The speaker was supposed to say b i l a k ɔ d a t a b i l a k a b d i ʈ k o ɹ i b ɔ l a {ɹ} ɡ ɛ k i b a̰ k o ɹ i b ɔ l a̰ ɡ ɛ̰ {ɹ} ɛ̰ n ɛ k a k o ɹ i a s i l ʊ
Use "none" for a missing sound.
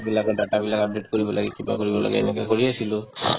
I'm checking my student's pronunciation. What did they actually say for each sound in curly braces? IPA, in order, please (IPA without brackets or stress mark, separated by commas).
none, none